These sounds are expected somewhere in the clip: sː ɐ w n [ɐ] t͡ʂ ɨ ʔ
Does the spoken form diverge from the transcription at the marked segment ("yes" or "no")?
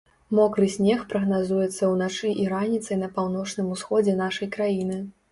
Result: yes